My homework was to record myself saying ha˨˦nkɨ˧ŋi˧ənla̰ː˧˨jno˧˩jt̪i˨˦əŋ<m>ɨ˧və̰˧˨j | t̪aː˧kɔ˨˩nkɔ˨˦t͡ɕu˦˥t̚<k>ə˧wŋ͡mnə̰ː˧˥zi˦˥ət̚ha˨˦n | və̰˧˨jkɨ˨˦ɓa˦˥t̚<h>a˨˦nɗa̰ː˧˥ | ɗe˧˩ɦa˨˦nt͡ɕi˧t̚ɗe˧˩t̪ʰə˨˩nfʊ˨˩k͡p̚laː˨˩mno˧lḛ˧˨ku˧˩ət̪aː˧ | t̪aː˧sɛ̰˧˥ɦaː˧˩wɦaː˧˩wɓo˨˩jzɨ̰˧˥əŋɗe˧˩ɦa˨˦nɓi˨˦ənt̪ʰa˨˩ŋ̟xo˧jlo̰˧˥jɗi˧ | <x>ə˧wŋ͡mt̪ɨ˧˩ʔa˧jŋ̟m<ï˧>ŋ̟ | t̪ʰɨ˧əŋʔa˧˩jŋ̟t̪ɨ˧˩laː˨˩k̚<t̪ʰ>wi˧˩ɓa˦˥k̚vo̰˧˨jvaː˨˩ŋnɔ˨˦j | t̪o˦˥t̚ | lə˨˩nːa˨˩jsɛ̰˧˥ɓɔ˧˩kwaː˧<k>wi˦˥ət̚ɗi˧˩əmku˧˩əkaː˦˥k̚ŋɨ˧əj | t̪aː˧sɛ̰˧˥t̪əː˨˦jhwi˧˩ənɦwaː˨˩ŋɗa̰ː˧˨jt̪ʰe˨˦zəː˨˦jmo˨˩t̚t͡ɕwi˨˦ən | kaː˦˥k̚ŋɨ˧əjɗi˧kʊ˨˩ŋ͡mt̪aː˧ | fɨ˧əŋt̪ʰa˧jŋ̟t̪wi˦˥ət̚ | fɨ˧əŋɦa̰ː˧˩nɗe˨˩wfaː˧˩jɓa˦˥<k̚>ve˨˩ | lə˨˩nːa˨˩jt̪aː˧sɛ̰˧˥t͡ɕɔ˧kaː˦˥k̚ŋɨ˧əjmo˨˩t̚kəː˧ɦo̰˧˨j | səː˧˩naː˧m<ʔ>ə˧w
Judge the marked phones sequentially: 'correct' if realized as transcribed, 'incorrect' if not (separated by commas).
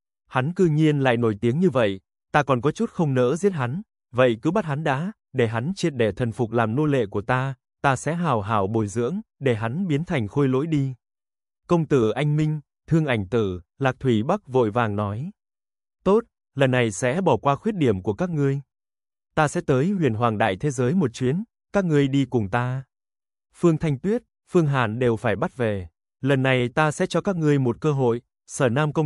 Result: incorrect, incorrect, correct, incorrect, correct, correct, incorrect, incorrect, incorrect